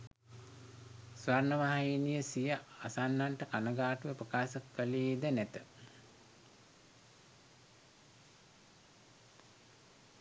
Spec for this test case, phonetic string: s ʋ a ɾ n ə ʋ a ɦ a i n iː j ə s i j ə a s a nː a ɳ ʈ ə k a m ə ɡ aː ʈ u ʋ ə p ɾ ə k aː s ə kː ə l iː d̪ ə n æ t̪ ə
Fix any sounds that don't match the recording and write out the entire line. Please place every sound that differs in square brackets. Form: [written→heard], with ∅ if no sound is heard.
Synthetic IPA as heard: s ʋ a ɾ n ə ʋ a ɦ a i n [iː→i] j ə s i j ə a s a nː a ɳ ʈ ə k a [m→n] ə ɡ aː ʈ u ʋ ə p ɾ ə k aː s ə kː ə l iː d̪ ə n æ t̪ ə